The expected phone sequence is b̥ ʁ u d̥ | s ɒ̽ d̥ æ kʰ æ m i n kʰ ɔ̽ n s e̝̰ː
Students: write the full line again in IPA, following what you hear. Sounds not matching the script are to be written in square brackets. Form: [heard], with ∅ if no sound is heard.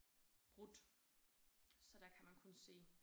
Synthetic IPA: b̥ ʁ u d̥ | s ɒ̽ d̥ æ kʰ æ m [æ] n kʰ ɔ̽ n s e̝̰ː

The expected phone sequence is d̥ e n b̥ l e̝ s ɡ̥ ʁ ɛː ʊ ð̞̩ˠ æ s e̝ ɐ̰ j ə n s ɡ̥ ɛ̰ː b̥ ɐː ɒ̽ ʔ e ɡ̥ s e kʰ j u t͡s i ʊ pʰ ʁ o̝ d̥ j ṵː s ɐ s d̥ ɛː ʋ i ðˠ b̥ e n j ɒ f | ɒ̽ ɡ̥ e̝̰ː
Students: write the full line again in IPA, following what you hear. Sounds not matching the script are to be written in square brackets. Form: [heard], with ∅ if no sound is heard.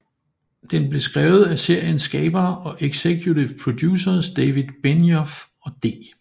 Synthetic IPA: d̥ e n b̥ l e̝ s ɡ̥ ʁ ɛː ʊ ð̞̩ˠ æ s e̝ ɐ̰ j ə n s ɡ̥ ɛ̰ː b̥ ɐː ɒ̽ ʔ e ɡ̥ s e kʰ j u t͡s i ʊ pʰ ʁ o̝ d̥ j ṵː s ɐ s d̥ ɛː ʋ i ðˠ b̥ e n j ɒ f | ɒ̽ [d̥] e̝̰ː

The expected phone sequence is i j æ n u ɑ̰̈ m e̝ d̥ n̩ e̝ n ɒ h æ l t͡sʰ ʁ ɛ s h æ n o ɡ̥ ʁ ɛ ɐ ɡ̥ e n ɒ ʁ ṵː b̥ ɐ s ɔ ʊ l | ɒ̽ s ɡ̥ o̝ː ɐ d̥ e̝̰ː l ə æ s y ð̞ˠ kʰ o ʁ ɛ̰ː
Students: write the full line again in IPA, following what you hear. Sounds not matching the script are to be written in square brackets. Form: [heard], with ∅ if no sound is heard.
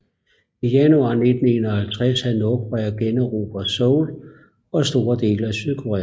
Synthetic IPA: i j æ n u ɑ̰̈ [n] e̝ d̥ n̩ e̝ n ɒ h æ l t͡sʰ ʁ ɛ s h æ n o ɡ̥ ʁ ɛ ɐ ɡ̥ e n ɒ ʁ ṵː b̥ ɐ s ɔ ʊ l | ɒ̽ s [d̥] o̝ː ɐ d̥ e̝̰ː l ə æ s y ð̞ˠ kʰ o ʁ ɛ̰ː

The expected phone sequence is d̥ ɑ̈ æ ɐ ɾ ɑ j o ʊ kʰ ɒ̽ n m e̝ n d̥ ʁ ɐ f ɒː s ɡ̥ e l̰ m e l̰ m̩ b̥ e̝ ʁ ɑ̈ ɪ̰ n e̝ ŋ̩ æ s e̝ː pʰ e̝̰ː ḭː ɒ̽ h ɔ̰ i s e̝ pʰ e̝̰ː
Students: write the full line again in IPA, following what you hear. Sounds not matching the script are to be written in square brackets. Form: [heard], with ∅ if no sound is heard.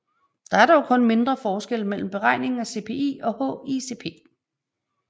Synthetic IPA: d̥ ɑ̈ æ ɐ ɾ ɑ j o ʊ kʰ [ɔ̽] n m e̝ n d̥ ʁ ɐ f ɒː s ɡ̥ e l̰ m e l̰ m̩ b̥ e̝ ʁ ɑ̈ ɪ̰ n e̝ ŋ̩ æ s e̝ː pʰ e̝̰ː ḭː ɒ̽ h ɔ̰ i s e̝ pʰ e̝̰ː

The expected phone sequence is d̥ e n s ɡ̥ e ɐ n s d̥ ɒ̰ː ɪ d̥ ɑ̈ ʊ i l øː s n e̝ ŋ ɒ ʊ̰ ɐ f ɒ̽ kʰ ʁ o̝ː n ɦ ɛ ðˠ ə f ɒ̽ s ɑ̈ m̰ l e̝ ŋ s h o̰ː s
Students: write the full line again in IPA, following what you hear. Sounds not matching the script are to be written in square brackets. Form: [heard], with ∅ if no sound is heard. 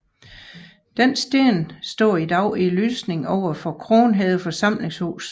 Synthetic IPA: d̥ e n s [d̥] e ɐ n s d̥ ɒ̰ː [i] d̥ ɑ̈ ʊ i l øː s n e̝ ŋ ɒ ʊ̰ ɐ f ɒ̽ kʰ ʁ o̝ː n ɦ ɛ ðˠ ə f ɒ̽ s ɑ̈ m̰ l e̝ ŋ s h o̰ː s

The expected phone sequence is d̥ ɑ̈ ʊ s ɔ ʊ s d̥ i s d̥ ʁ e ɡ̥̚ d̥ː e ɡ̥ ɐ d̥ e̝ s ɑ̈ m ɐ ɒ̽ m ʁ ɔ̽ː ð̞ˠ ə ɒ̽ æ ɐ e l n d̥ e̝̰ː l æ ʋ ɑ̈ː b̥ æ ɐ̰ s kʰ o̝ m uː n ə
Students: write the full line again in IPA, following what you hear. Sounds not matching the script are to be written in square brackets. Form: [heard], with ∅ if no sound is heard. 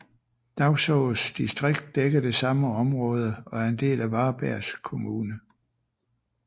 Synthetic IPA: d̥ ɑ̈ ʊ s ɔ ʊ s d̥ i s d̥ ʁ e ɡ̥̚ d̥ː e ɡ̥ ɐ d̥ e̝ s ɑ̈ m [ə] ɒ̽ m ʁ ɔ̽ː ð̞ˠ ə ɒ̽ æ ɐ e [∅] n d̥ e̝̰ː l æ ʋ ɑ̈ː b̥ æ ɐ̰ s kʰ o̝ m uː n ə

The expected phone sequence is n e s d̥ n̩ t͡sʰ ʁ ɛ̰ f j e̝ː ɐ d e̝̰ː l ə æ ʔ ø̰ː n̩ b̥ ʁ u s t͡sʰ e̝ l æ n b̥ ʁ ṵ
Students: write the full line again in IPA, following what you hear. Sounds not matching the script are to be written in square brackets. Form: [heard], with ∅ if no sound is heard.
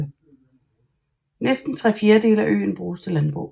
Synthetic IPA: n e s d̥ n̩ t͡sʰ ʁ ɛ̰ f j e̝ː ɐ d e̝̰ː l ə æ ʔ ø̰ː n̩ b̥ ʁ [uː] s t͡sʰ e̝ l æ n b̥ ʁ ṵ

